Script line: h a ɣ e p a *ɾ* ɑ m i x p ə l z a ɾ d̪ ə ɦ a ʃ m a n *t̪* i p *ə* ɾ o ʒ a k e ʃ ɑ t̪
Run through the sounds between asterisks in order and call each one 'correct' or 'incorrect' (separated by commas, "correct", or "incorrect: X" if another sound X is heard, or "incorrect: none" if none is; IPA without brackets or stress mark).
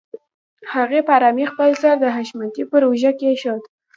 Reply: correct, correct, correct